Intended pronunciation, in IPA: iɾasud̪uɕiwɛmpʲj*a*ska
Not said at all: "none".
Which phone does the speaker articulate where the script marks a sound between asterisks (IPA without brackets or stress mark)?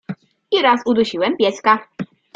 ɛ